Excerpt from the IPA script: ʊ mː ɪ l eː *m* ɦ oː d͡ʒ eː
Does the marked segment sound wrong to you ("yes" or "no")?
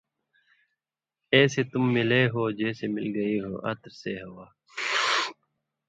yes